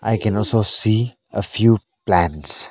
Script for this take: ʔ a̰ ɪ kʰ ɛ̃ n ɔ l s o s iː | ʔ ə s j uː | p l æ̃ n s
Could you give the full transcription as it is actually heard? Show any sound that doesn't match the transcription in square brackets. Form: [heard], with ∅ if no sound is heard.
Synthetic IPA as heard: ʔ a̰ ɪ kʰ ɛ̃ n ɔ l s o s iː | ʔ ə [f] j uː | p l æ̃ n s